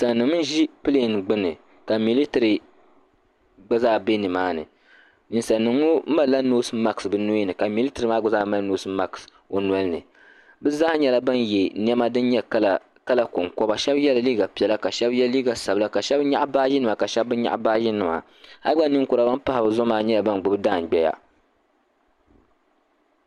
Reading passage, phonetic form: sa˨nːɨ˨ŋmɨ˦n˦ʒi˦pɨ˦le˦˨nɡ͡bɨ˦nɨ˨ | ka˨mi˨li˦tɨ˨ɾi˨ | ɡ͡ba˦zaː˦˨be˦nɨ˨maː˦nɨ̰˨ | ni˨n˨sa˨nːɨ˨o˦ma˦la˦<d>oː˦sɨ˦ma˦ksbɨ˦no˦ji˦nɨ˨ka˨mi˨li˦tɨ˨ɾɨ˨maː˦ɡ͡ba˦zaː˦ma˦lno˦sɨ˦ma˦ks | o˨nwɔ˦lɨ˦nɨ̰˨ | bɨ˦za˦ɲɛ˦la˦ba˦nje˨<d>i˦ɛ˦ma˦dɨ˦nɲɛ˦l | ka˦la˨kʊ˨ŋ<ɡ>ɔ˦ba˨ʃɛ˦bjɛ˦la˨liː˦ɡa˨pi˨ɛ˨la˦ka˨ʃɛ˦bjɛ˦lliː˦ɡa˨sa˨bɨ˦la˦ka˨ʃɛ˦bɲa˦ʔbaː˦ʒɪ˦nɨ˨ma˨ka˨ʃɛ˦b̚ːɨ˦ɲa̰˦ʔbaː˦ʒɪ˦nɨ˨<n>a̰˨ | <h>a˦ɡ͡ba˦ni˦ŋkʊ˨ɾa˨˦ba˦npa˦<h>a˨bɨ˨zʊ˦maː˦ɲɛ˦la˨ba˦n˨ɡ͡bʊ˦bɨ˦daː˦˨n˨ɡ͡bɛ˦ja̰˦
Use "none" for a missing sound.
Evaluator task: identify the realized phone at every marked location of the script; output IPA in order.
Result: n, n, k, m, h, h

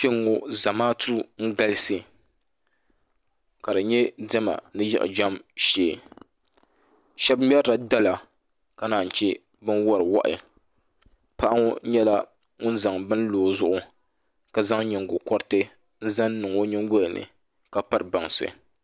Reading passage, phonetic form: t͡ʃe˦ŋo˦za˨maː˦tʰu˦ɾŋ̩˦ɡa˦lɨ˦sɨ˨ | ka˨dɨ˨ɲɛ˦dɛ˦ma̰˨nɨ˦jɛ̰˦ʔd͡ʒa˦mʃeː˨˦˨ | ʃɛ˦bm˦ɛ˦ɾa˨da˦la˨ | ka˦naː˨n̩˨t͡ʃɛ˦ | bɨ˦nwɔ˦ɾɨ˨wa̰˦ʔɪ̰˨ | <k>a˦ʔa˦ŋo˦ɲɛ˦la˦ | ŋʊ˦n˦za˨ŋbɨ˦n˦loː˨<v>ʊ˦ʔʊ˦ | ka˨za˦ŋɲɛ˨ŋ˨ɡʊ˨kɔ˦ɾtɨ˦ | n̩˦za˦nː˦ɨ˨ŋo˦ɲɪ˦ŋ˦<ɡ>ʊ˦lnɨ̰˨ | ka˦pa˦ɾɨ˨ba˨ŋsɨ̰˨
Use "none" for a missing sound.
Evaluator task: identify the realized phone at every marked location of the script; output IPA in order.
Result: p, z, ɡ

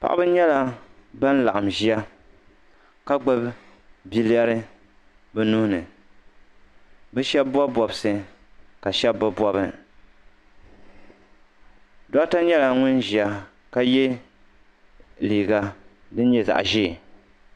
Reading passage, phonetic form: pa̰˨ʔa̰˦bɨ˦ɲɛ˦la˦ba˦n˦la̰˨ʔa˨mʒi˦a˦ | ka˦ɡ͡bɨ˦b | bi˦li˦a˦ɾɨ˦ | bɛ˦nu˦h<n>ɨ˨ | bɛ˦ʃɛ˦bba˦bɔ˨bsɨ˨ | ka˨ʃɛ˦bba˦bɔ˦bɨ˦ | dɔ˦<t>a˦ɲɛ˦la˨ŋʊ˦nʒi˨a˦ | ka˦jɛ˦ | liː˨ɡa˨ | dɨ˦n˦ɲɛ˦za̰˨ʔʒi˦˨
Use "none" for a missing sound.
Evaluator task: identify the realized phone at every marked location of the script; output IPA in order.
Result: n, t

